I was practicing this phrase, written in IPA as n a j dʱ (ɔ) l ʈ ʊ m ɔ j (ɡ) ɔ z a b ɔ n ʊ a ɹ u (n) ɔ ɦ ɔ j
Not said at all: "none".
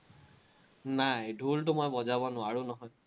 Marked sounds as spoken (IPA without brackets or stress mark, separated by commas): u, b, n